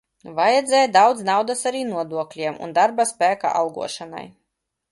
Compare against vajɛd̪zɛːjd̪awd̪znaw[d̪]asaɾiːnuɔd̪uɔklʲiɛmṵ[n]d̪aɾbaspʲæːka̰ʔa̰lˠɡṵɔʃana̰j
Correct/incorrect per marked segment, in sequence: correct, correct

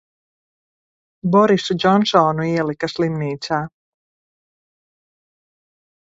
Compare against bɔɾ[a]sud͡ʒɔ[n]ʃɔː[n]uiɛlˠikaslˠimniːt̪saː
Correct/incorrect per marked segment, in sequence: incorrect: i, correct, correct

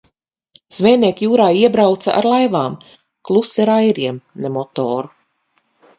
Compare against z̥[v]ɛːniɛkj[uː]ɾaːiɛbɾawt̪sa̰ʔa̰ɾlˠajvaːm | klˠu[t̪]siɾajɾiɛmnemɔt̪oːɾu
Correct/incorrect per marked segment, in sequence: correct, correct, incorrect: none

